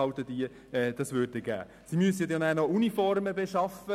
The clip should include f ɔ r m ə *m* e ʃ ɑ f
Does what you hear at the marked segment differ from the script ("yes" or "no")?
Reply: yes